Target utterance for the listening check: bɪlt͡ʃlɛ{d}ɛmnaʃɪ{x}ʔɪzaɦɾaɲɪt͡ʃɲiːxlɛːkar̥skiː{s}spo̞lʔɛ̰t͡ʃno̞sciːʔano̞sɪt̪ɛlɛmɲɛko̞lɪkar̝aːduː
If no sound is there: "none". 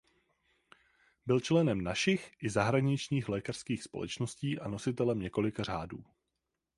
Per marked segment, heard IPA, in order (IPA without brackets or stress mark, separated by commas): n, x, x